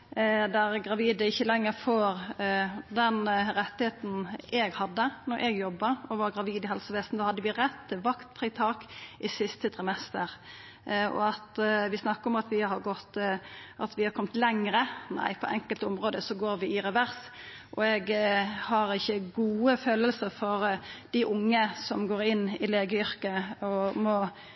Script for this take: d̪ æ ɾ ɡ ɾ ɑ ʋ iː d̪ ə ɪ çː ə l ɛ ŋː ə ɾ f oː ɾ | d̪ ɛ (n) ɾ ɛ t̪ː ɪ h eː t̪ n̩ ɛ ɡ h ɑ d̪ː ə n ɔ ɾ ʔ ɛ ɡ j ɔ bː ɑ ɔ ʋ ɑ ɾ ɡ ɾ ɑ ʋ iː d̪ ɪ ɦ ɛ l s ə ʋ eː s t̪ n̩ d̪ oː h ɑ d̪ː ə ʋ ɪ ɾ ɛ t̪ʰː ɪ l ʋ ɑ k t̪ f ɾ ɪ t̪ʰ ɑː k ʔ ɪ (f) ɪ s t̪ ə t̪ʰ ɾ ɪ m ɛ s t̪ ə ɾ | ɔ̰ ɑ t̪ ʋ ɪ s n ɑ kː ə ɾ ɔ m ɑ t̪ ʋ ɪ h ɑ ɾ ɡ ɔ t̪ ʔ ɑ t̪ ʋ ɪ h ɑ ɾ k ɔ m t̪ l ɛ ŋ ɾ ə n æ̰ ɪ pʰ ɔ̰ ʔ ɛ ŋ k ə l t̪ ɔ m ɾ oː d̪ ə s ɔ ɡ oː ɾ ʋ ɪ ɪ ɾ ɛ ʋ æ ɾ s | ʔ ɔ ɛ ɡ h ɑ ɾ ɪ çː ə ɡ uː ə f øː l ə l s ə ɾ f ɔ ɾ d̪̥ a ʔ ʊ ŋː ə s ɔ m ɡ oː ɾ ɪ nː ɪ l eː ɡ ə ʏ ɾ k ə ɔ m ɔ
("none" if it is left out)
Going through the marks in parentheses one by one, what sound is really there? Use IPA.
n, s

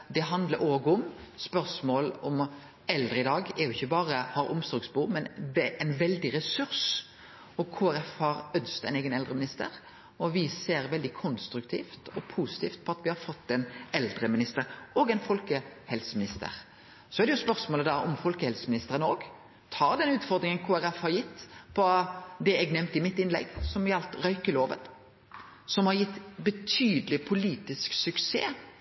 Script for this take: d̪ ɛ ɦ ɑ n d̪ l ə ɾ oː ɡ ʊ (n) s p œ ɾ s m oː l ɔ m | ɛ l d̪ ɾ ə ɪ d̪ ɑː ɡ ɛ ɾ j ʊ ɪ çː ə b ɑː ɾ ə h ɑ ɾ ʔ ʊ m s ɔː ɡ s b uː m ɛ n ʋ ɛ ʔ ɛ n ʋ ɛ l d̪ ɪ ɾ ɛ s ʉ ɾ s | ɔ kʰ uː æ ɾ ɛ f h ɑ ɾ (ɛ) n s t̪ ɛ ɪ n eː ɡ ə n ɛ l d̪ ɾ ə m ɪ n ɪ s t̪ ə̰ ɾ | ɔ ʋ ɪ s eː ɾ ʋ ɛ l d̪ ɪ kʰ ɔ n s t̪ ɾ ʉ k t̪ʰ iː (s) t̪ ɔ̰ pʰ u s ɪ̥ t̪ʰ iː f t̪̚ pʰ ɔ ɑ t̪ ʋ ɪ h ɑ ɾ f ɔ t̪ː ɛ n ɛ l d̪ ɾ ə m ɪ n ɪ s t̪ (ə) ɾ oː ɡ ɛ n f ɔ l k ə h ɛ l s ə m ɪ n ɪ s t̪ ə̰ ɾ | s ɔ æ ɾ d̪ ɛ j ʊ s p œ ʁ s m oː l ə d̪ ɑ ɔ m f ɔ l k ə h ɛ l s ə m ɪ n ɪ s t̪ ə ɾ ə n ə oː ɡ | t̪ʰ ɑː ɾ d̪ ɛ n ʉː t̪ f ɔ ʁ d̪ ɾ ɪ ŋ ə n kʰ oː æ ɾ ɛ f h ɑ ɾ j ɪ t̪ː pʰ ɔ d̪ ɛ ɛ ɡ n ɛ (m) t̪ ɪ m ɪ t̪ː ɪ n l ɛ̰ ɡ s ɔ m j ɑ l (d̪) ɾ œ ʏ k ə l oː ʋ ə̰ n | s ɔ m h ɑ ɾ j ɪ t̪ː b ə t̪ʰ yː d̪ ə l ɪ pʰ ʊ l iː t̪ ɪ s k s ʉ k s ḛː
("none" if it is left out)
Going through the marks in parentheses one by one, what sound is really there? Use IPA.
m, œ, f, ə, m, t̪

